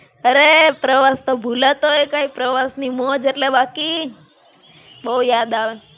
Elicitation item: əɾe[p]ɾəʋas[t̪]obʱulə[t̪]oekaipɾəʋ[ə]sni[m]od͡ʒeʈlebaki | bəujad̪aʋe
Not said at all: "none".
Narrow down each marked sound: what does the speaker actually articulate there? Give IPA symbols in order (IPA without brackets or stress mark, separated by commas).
p, t̪, t̪, a, m